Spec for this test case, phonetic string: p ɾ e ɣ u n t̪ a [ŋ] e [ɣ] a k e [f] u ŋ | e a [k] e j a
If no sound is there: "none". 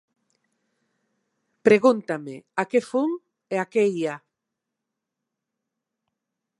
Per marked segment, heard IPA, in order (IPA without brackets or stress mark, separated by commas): m, none, f, k